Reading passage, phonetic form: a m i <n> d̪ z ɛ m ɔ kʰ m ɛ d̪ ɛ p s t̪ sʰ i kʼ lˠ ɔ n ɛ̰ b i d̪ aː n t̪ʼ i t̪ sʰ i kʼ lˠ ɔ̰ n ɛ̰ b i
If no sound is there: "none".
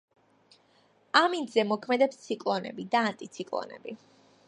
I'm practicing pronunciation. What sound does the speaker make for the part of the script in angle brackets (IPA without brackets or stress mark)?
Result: n